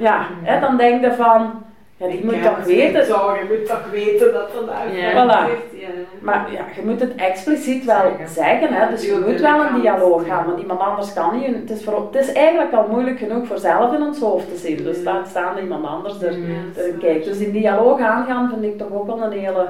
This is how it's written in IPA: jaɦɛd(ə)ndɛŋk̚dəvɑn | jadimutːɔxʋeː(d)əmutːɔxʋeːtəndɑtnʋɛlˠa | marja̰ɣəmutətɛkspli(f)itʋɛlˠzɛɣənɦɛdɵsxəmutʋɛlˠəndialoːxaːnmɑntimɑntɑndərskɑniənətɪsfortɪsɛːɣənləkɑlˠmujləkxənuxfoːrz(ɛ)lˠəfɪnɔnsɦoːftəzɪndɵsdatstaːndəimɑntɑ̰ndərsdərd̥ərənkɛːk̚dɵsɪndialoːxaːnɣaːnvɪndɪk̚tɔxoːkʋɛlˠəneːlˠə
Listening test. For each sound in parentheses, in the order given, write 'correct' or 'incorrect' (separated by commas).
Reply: incorrect, incorrect, incorrect, correct